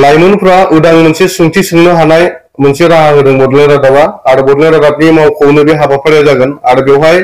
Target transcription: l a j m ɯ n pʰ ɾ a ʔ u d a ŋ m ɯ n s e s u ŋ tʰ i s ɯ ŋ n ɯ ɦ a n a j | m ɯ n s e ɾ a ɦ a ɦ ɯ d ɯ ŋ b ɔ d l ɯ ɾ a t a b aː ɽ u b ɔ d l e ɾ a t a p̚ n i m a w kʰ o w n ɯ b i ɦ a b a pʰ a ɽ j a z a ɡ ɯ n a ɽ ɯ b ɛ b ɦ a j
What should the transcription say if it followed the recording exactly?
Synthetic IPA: l a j m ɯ n pʰ ɾ a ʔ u d a ŋ m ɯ n s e s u ŋ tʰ i s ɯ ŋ n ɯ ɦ a n a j | m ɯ n s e ɾ a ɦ a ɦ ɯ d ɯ ŋ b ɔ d l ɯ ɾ a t a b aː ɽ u b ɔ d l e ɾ a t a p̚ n i m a w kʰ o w n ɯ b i ɦ a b a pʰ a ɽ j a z a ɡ ɯ n a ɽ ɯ b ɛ w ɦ a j